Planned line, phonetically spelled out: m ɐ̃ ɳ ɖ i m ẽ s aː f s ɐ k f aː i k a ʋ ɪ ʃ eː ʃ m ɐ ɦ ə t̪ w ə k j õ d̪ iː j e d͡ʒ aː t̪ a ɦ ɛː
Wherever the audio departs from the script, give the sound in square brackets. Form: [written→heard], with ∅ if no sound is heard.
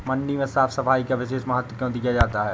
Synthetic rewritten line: m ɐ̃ ɳ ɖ i m ẽ s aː f s ɐ [k→∅] f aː i k a ʋ ɪ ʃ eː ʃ m ɐ ɦ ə t̪ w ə k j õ d̪ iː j [e→a] d͡ʒ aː t̪ a ɦ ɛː

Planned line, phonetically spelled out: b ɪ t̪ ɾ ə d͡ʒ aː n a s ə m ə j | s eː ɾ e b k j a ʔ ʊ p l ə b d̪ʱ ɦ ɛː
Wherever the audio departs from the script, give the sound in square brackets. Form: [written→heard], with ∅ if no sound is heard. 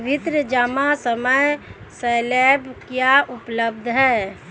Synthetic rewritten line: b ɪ t̪ ɾ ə d͡ʒ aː [n→m] a s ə m ə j | s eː [ɾ→l] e b k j a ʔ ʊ p l ə b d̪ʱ ɦ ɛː

